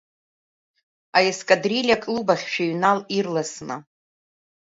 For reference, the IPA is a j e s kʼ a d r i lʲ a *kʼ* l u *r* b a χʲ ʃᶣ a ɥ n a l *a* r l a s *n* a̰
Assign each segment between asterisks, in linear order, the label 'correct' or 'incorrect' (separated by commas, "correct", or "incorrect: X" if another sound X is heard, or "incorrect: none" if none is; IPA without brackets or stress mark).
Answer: correct, incorrect: none, incorrect: i, correct